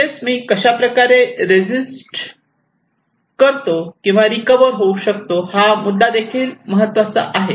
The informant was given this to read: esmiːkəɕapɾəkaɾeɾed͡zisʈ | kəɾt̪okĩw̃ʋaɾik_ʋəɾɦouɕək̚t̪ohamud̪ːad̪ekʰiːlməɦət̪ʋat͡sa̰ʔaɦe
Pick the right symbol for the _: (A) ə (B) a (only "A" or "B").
A